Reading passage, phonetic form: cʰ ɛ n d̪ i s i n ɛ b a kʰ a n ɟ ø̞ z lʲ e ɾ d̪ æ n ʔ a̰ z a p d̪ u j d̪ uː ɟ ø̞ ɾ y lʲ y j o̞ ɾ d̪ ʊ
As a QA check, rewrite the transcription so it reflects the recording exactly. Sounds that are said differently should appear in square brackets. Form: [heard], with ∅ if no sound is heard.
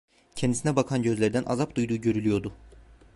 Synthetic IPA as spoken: cʰ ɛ n d̪ i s i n ɛ b a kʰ a n ɟ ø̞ z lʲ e ɾ d̪ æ n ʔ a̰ z a p d̪ u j d̪ uː ɟ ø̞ ɾ y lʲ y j o̞ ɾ d̪ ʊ